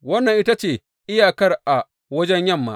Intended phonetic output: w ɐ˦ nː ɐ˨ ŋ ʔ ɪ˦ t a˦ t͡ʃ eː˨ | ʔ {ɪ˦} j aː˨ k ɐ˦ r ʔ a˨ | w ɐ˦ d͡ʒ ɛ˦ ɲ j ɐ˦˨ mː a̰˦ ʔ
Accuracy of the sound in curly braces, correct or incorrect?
correct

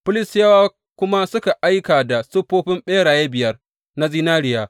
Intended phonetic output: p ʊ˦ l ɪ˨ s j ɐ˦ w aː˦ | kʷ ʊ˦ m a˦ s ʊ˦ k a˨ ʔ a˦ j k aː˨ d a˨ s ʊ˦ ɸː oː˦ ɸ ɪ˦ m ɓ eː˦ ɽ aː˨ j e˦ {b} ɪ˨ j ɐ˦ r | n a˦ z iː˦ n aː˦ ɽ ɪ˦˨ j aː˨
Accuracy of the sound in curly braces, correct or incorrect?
correct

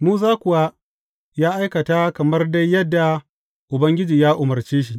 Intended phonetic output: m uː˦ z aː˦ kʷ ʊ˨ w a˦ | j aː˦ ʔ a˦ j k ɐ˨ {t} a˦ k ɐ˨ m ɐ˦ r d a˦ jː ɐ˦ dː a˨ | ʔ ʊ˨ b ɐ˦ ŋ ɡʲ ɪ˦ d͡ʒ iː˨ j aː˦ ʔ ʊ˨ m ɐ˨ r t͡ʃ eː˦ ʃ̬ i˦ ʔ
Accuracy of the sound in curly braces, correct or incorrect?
correct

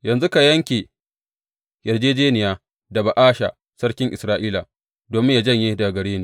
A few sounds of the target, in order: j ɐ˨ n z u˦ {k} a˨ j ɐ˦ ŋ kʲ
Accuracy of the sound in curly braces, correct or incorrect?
correct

